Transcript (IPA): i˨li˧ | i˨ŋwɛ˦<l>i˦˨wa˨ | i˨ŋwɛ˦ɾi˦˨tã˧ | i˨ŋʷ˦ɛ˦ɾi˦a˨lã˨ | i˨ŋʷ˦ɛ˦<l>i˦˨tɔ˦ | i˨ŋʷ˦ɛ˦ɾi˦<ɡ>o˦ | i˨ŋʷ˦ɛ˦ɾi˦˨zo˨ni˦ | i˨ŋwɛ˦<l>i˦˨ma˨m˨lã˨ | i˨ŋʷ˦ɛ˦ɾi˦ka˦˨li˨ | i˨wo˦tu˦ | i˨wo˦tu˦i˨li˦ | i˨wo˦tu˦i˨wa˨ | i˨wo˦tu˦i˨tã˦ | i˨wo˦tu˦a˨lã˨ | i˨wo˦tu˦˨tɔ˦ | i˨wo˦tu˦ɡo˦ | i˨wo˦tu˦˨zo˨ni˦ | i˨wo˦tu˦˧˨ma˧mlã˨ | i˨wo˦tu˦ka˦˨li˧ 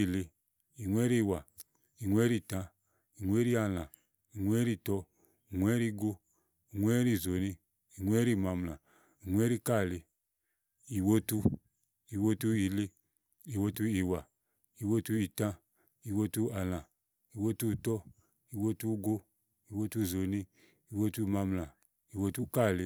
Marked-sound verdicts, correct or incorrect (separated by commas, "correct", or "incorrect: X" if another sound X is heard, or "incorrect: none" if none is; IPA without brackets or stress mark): incorrect: ɾ, incorrect: ɾ, correct, incorrect: ɾ